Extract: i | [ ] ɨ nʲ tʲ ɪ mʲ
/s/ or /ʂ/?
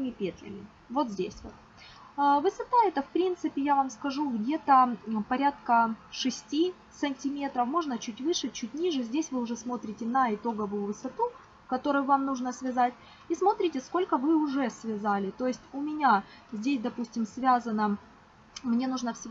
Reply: s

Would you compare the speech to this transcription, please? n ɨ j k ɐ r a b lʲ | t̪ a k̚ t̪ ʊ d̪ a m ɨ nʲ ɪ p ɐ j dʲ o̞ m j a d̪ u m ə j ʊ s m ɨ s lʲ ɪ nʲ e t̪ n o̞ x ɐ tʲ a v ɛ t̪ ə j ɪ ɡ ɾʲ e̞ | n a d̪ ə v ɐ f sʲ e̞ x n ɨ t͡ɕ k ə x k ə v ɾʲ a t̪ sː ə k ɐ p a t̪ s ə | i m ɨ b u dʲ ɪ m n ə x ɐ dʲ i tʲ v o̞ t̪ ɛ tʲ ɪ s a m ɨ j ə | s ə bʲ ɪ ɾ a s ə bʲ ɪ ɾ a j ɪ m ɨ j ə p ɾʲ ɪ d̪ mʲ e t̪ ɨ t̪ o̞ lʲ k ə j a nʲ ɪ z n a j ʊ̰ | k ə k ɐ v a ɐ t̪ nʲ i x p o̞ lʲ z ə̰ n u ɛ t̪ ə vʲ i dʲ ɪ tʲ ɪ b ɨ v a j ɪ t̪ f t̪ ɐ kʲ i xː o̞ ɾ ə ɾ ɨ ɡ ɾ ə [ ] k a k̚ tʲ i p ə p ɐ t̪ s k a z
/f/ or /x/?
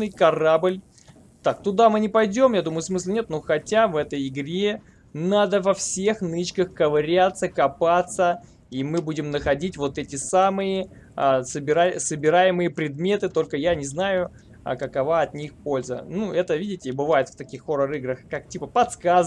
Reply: x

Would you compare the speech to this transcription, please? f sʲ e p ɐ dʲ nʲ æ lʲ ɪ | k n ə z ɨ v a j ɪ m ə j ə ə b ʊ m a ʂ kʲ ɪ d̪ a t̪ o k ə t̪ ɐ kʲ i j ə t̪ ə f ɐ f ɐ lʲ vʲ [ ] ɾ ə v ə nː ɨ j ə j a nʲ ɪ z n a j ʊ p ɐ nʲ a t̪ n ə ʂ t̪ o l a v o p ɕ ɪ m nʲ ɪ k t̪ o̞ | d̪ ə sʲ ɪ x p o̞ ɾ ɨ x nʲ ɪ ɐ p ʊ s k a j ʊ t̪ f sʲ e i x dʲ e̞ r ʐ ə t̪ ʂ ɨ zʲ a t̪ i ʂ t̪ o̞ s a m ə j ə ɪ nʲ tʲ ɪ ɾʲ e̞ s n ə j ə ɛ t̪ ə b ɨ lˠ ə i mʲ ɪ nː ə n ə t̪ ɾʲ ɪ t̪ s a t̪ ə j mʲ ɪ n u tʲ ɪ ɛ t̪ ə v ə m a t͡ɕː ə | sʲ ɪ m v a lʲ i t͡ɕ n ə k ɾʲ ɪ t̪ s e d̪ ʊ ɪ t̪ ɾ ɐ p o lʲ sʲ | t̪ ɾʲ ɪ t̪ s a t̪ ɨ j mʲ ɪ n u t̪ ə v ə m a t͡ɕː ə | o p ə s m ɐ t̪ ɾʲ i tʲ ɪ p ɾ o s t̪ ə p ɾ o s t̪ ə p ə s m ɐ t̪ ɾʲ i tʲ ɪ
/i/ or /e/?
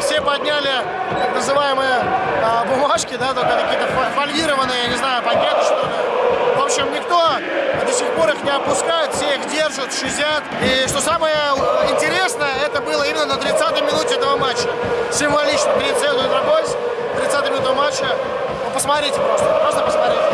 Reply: i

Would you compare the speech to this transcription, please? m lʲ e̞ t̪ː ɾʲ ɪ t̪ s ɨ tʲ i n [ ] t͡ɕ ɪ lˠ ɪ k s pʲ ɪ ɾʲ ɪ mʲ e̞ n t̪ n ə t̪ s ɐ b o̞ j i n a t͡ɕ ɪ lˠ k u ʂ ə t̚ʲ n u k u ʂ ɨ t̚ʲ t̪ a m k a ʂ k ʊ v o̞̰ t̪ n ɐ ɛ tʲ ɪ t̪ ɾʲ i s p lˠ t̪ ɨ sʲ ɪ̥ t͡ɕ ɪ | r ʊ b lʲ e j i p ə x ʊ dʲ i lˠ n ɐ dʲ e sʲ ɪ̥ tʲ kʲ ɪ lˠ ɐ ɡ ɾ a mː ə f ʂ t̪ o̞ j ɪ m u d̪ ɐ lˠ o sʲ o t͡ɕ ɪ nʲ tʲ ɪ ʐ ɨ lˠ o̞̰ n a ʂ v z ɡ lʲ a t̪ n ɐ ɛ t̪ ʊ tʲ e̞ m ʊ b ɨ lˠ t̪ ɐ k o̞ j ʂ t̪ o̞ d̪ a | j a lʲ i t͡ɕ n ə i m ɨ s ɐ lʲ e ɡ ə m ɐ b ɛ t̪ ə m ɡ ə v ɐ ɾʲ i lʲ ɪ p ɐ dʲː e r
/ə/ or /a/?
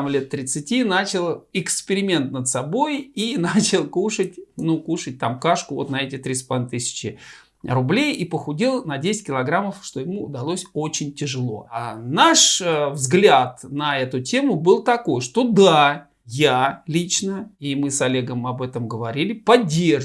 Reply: a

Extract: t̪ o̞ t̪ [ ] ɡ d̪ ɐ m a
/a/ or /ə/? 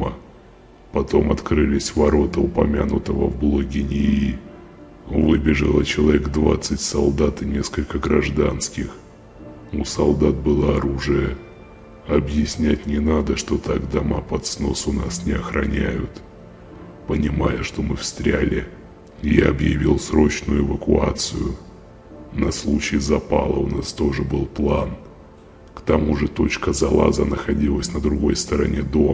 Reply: a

